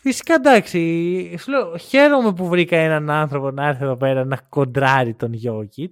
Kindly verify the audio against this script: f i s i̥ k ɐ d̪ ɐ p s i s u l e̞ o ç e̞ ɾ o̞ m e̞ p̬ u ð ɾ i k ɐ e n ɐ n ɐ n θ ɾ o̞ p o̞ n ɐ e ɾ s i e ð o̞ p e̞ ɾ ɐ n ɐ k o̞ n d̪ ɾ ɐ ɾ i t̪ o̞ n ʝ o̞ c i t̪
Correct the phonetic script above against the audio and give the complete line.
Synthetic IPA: f i s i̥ k ɐ d̪ ɐ k s i s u l e̞ o ç e̞ ɾ o̞ m e̞ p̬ u v ɾ i k ɐ e n ɐ n ɐ n θ ɾ o̞ p o̞ n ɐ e ɾ θ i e ð o̞ p e̞ ɾ ɐ n ɐ k o̞ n d̪ ɾ ɐ ɾ i t̪ o̞ n ʝ o̞ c i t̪